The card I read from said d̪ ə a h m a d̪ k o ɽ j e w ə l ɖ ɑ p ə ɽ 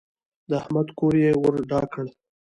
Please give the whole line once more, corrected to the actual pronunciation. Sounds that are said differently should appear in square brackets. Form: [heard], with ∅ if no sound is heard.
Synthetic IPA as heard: d̪ ə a h m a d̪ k o [ɾ] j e w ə [ɾ] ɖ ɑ [k] ə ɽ